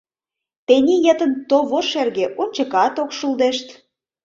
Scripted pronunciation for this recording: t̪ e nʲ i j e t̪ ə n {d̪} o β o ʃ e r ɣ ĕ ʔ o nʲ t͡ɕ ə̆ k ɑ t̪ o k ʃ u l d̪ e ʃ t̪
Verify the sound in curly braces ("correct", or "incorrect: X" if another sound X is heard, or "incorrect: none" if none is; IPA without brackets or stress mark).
incorrect: t̪